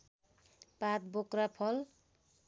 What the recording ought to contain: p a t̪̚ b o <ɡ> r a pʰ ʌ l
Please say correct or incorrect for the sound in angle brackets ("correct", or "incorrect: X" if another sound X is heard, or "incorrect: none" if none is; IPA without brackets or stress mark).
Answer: incorrect: k